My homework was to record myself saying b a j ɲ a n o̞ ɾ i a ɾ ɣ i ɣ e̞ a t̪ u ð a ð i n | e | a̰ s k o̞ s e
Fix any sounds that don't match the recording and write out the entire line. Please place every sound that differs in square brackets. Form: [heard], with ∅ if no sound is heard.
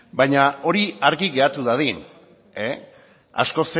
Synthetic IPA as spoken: b a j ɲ a [∅] o̞ ɾ i a ɾ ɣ i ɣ e̞ a t̪ u ð a ð i n | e | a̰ s k o̞ s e